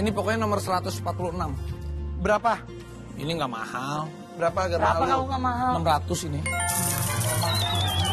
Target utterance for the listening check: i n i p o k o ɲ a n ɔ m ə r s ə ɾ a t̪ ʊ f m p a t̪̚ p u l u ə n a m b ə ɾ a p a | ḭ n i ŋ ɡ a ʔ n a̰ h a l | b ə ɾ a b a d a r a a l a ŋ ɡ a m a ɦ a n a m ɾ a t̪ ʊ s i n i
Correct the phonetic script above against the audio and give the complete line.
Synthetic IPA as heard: i n i p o k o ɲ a n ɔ m ə r s ə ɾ a t̪ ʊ s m p a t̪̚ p u l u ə n a m b ə ɾ a p a | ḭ n i ŋ ɡ a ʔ m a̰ h a l | b ə ɾ a p a ɡ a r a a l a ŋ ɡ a m a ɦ a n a m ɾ a t̪ ʊ s i n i